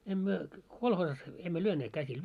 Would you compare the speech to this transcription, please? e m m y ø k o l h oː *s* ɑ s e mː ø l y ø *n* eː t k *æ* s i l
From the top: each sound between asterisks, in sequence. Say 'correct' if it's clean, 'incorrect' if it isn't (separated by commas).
correct, correct, correct